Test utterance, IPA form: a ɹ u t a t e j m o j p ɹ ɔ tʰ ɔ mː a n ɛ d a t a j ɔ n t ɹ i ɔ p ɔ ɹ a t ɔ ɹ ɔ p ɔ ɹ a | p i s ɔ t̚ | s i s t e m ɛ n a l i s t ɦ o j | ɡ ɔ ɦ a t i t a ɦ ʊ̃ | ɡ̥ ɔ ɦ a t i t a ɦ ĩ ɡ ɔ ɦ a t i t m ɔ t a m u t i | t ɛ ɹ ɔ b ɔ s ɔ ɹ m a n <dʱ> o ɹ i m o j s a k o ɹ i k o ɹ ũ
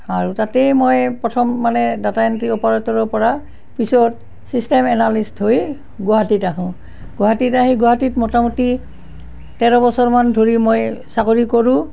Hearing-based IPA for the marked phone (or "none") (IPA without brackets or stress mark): dʱ